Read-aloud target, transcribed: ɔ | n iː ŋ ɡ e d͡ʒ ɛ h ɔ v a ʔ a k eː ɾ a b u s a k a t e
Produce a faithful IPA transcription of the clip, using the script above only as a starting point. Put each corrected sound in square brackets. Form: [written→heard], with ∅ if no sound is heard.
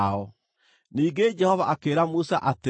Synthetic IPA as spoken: ɔ | n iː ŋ ɡ e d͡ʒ ɛ h ɔ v a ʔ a k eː ɾ a [b→m] u s a [k→ʔ] a t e

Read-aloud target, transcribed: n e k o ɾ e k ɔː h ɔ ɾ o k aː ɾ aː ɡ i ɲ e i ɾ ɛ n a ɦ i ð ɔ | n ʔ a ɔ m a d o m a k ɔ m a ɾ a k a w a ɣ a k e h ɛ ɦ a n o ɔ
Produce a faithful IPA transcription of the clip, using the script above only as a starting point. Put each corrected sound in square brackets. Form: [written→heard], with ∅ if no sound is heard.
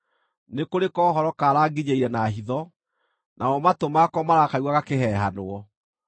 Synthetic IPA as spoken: n e k o ɾ e k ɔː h ɔ ɾ [o→ɔ] k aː ɾ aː ɡ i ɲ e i ɾ ɛ n a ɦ i ð ɔ | n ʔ a ɔ m a [d→t] o m a k ɔ m a ɾ a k a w a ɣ a k e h ɛ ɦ a n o ɔ

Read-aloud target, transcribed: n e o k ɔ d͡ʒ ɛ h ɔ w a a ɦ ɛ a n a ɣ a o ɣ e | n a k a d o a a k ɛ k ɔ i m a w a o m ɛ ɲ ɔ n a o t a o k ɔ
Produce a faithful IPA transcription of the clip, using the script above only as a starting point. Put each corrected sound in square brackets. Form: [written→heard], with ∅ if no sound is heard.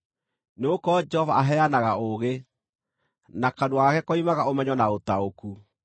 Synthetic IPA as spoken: n e o k ɔ d͡ʒ ɛ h ɔ [w→v] a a ɦ ɛ a n a ɣ a o ɣ e | n a k a d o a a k ɛ k ɔ i m a [w→ɣ] a o m ɛ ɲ ɔ n a o t a o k [ɔ→u]

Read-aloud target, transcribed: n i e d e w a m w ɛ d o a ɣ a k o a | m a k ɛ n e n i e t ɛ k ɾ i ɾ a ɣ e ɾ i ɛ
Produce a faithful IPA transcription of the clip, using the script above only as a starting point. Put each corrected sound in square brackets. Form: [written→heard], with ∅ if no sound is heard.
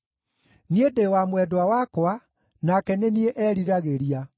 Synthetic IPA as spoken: n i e d e w a m w ɛ d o a [ɣ→w] a k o a | [m→n] a k ɛ n e n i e [t→ʔ] ɛ [k→∅] ɾ i ɾ a ɣ e ɾ i [ɛ→a]

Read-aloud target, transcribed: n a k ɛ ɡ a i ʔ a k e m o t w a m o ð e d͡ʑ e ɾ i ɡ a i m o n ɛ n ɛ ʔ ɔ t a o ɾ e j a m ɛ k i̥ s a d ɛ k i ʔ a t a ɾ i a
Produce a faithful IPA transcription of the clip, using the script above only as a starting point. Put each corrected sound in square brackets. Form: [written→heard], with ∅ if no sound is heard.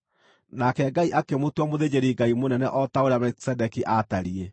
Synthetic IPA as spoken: n a k ɛ ɡ a i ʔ a k e m o t w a m o ð e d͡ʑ e ɾ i ɡ a i m o n ɛ n ɛ ʔ ɔ t a o ɾ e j a m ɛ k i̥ s [a→ɛ] d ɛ k i ʔ a t a ɾ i [a→e]

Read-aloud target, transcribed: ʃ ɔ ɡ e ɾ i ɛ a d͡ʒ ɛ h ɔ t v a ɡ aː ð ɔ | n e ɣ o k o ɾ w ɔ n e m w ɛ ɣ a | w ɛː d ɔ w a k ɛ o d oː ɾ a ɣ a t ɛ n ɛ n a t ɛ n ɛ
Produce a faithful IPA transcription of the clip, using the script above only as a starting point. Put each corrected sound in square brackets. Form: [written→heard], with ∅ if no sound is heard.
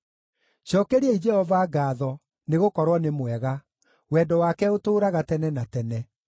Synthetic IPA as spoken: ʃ ɔ [ɡ→k] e ɾ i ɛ [a→i] d͡ʒ ɛ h ɔ [t→∅] v a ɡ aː ð ɔ | n e ɣ o k [o→ɔ] ɾ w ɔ n e m w ɛ ɣ a | w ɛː d ɔ w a k ɛ o [d→t] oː ɾ a ɣ a t ɛ n ɛ n a t ɛ n ɛ

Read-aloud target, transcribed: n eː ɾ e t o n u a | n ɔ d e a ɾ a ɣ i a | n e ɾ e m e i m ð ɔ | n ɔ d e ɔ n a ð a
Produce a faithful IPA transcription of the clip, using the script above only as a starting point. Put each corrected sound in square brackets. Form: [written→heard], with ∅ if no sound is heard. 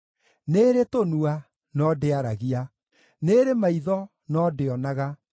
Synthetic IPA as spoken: n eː ɾ e t o n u a | n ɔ d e a ɾ a ɣ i a | n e ɾ e m [e→a] i [m→∅] ð ɔ | n ɔ d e ɔ n a [ð→ɣ] a

